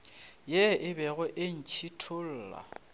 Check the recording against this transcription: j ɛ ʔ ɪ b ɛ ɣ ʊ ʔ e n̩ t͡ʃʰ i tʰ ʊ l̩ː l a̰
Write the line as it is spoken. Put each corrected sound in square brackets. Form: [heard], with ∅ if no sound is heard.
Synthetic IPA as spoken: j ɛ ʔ ɪ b ɛ ɣ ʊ ʔ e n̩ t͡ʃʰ i tʰ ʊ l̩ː l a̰